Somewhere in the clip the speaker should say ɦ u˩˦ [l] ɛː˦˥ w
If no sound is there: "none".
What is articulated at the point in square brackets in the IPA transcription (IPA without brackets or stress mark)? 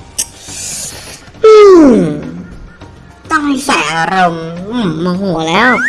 l